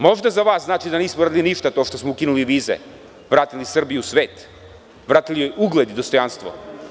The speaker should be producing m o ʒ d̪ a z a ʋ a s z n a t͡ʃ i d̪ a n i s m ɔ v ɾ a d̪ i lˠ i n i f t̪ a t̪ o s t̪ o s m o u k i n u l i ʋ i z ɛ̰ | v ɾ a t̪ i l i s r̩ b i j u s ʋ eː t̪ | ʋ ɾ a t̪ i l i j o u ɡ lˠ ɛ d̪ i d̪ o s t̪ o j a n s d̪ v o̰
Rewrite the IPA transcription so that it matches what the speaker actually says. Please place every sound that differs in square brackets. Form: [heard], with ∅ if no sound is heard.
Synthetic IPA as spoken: m o ʒ d̪ a z a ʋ a s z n a t͡ʃ i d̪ a n i s m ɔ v ɾ a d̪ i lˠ i n i [ʃ] t̪ a t̪ o [ʃ] t̪ o s m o u k i n u l i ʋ i z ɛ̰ | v ɾ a t̪ i l i s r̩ b i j u s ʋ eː t̪ | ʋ ɾ a t̪ i l i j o u ɡ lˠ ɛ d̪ i d̪ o s t̪ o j a n s [t̪] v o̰